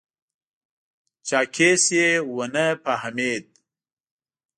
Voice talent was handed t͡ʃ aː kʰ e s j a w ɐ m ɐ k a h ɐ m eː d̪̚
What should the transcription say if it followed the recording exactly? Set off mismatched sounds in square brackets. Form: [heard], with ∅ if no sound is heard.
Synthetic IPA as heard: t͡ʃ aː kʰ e s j [e] w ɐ [n] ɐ [p] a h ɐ m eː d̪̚

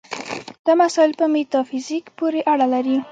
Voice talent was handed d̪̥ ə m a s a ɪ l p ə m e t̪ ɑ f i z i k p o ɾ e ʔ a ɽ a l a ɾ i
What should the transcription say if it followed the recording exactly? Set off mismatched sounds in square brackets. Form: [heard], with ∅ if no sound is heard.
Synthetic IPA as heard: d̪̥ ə m a s [ɑ] ɪ l p ə m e t̪ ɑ f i z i k p o ɾ e ʔ a ɽ a l a ɾ i

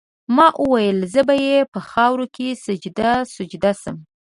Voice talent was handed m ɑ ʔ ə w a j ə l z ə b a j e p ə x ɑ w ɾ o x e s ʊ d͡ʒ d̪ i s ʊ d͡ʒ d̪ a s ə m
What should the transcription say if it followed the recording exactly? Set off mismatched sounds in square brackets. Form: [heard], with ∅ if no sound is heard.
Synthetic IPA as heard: m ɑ ʔ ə w a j ə l z ə b a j e p ə x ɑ w ɾ o [k] e s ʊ d͡ʒ d̪ [a] s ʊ d͡ʒ d̪ a s ə m

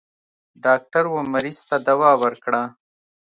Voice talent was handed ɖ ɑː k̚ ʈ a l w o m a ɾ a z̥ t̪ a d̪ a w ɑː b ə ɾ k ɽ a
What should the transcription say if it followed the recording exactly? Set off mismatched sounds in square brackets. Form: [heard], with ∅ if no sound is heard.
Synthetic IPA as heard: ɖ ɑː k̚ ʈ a [ɾ] w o m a ɾ [i] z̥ t̪ a d̪ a w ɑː [w] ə ɾ k ɽ a

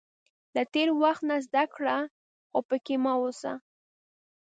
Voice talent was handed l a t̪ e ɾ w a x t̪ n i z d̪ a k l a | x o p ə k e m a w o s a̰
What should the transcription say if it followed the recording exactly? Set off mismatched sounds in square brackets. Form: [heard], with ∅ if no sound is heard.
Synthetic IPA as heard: l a t̪ e ɾ w a x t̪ n [a] z d̪ a k [ɽ] a | x o p ə k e m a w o s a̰

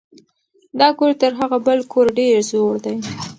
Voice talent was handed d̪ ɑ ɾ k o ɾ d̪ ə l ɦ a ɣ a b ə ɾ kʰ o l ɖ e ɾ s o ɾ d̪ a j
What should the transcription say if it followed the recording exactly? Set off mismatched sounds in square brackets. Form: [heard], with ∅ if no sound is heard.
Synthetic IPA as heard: d̪ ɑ [∅] k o ɾ [t̪] ə [ɾ] ɦ a ɣ a b ə [l] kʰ o [ɾ] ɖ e ɾ [z] o [ɽ] d̪ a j

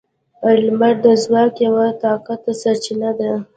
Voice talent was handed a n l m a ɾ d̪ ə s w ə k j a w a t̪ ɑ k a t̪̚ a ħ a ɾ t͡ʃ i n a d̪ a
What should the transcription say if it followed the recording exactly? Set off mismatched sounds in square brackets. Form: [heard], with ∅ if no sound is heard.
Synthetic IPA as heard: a [∅] l m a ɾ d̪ ə [z] w [ɑ] k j a w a t̪ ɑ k a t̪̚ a [s] a ɾ t͡ʃ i n a d̪ a

